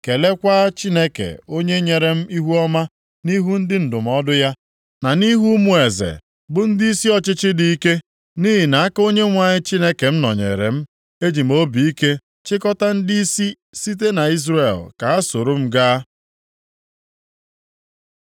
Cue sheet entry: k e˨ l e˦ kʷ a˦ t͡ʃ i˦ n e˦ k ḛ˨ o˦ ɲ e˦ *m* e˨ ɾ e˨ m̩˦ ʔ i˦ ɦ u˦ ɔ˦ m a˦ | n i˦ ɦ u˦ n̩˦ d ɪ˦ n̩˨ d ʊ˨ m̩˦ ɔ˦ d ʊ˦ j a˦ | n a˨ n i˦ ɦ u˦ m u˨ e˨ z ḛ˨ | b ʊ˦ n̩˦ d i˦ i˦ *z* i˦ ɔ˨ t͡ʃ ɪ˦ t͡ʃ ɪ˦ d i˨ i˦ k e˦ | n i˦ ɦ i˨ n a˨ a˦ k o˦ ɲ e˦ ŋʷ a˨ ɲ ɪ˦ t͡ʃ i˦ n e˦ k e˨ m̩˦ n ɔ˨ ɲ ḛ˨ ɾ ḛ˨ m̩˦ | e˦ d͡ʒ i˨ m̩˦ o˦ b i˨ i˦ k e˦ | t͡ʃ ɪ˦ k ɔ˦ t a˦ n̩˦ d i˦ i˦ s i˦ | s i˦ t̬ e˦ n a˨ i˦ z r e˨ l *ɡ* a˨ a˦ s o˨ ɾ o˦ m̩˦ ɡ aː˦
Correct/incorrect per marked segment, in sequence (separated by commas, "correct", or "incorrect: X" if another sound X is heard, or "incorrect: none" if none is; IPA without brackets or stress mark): incorrect: ɲ, incorrect: s, incorrect: k